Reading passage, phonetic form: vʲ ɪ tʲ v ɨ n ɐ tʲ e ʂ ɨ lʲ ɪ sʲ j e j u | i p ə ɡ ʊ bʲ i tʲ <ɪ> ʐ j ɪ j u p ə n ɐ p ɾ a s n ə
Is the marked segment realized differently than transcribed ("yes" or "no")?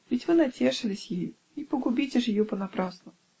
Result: no